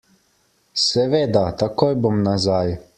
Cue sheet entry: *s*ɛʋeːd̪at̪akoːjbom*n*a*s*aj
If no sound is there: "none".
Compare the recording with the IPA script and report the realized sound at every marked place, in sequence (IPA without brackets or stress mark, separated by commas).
s, n, z